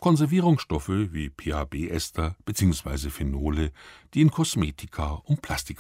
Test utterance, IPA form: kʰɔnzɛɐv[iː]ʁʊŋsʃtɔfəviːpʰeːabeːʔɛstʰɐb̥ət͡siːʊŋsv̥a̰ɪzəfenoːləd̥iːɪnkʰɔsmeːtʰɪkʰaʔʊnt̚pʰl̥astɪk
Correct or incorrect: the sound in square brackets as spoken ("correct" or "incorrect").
correct